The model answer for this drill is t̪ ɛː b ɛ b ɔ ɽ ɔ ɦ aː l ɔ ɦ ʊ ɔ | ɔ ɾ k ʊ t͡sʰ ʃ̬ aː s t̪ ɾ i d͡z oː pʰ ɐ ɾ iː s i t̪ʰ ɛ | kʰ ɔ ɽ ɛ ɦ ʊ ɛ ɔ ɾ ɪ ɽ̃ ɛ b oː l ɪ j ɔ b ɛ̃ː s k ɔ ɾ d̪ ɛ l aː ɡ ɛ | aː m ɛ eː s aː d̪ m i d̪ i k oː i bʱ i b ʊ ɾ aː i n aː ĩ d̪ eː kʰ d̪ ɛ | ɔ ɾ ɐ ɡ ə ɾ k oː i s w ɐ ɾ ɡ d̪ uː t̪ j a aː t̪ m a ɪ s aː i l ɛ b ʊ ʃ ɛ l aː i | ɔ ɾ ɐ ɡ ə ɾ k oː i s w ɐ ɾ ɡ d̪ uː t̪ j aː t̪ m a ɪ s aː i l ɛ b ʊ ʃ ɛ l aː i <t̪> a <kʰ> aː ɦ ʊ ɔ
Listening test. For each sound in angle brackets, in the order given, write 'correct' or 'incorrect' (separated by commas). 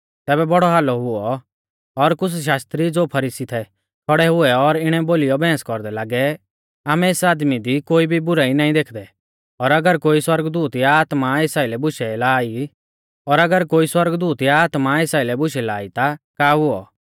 correct, incorrect